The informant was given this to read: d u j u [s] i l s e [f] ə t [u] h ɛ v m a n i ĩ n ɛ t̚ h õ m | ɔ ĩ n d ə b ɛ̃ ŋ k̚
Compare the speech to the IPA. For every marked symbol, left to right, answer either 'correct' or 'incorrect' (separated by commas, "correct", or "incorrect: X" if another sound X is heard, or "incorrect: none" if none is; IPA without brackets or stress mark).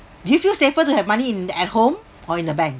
incorrect: f, correct, correct